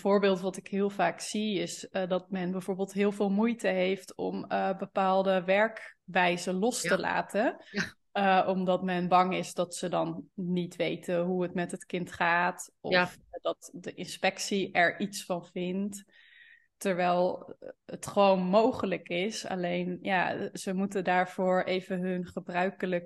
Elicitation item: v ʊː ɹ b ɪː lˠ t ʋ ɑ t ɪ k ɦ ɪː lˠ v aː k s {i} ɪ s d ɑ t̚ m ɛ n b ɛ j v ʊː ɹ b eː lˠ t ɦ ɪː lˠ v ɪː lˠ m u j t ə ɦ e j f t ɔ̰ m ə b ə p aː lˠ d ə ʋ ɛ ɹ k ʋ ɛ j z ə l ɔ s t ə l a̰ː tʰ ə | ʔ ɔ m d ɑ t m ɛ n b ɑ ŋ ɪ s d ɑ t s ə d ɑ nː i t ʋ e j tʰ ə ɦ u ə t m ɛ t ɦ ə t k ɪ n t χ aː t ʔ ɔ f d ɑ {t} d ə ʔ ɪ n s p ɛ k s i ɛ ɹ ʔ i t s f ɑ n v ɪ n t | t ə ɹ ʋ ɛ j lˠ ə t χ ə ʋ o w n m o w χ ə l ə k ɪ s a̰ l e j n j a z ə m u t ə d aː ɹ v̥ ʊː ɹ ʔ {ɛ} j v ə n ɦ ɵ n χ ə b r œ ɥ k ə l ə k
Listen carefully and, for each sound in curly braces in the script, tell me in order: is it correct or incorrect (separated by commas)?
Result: correct, correct, incorrect